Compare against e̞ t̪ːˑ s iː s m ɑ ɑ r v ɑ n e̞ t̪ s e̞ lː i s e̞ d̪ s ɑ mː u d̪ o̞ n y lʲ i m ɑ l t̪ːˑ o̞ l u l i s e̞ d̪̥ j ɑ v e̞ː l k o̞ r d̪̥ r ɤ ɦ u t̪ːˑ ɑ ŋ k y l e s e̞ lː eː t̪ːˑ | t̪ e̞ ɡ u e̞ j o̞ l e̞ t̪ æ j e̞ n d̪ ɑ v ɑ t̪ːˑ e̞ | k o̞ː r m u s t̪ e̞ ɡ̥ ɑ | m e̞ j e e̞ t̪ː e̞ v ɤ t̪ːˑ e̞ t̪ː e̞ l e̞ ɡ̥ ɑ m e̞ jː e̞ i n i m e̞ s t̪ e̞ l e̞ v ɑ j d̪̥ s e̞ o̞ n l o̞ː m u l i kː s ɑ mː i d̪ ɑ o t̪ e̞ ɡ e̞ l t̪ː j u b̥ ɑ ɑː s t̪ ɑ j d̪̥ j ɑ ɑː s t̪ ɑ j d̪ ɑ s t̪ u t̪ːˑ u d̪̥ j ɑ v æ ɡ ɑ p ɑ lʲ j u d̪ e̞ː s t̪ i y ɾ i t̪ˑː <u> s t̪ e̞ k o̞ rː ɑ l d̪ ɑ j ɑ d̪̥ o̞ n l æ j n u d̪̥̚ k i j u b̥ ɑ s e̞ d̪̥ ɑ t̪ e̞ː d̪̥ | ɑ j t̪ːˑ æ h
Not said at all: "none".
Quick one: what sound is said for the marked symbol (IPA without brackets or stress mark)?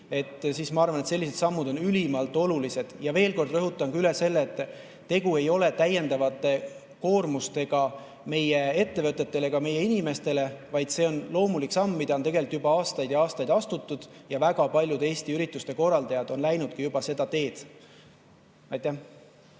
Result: u